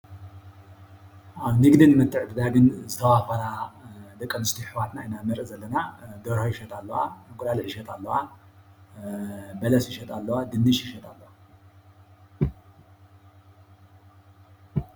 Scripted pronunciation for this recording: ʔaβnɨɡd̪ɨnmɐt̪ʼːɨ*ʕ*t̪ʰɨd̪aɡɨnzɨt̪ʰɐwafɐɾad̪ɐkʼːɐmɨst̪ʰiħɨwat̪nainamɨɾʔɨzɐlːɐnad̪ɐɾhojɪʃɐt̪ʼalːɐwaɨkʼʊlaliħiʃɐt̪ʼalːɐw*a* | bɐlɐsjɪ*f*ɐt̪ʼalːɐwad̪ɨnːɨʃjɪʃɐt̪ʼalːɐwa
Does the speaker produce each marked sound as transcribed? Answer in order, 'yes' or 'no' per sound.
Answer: yes, yes, no

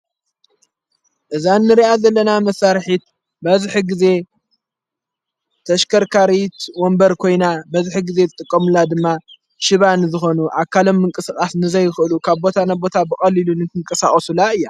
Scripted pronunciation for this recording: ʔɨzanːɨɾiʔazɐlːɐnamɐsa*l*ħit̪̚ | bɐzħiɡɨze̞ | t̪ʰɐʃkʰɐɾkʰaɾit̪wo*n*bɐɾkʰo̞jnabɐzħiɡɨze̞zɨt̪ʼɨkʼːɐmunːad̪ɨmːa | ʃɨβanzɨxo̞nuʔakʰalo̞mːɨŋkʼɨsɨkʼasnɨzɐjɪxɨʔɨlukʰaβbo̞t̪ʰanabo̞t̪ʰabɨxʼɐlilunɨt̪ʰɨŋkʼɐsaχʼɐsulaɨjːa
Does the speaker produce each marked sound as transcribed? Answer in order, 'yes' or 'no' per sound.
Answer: no, no

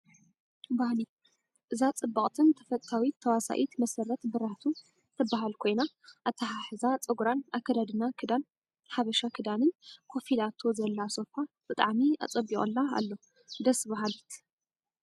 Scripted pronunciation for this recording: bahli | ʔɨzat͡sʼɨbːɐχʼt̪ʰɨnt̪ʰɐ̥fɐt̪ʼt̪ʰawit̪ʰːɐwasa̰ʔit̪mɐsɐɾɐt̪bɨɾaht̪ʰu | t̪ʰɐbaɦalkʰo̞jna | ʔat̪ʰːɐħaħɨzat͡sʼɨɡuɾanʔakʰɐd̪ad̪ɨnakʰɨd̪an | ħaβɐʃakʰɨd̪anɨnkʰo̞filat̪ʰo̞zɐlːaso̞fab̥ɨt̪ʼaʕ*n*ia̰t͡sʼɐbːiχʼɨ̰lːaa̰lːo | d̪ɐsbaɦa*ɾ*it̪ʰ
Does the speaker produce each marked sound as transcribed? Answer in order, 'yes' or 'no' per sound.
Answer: no, no

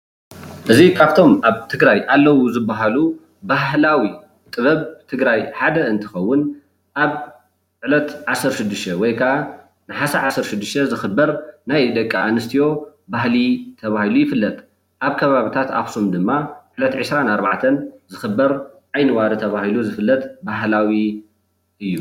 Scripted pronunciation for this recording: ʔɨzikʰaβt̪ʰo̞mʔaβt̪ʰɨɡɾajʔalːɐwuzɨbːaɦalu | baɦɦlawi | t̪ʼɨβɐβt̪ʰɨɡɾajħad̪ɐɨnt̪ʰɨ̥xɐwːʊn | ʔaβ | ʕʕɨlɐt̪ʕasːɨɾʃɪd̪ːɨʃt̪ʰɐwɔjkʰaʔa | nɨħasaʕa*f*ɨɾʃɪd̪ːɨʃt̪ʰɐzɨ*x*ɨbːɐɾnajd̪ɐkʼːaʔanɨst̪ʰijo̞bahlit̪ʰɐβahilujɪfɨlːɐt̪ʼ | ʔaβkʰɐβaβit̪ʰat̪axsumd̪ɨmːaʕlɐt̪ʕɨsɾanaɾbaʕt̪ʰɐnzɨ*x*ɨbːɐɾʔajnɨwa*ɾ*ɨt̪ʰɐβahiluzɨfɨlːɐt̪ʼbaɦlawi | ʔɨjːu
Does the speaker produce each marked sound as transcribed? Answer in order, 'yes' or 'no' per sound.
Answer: no, yes, yes, yes

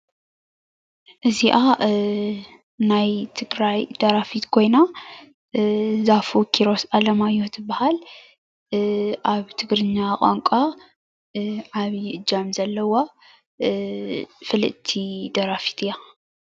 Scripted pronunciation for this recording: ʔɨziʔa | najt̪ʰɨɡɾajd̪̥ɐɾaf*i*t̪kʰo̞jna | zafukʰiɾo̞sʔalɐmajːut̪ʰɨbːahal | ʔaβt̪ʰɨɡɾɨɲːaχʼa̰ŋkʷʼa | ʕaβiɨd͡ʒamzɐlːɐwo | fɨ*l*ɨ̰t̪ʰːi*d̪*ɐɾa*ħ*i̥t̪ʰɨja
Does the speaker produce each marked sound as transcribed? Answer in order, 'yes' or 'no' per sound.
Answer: yes, yes, yes, no

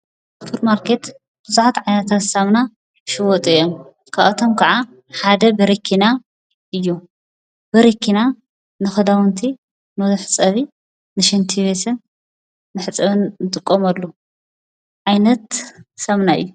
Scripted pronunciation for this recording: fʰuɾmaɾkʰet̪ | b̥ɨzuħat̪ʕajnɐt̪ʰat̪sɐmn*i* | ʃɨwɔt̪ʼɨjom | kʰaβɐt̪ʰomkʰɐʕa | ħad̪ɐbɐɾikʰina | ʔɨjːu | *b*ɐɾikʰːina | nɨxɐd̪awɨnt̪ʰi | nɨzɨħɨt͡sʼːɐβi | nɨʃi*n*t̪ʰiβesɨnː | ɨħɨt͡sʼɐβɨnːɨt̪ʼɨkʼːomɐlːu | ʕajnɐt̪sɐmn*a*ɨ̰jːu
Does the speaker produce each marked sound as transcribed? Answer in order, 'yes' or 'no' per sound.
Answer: no, yes, yes, yes

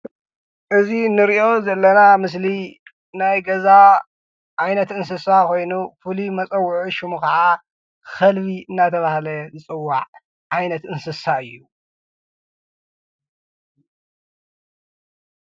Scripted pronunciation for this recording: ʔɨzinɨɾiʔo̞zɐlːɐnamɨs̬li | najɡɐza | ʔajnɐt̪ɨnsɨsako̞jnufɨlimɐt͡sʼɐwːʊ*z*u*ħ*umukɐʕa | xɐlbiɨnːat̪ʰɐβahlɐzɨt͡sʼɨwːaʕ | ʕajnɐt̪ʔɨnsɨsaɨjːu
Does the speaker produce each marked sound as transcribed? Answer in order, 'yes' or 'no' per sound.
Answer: no, no

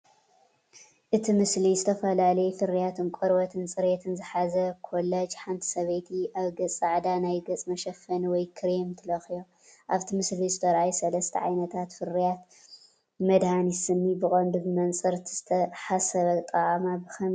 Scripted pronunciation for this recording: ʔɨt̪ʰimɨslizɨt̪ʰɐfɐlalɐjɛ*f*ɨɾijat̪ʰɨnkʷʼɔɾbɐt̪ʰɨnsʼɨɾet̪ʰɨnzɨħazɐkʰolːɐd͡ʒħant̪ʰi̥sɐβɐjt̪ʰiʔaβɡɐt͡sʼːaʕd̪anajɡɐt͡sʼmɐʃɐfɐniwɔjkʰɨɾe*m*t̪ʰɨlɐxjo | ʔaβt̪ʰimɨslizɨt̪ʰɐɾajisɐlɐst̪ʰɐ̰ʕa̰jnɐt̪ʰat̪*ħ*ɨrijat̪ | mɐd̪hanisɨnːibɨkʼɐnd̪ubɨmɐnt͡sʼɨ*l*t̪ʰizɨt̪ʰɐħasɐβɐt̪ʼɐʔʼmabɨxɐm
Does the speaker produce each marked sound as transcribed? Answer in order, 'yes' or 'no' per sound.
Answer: yes, yes, no, no

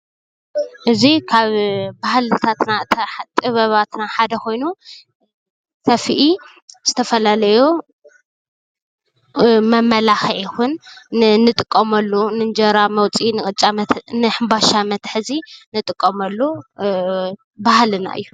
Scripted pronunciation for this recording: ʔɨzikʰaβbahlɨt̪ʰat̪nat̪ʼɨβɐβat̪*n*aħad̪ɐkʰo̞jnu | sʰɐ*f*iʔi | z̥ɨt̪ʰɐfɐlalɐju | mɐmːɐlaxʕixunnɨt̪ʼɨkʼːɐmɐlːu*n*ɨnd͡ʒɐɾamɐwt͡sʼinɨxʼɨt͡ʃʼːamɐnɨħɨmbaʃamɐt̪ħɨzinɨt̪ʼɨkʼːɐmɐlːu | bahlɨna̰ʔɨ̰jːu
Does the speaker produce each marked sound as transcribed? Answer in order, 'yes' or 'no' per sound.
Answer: yes, yes, yes

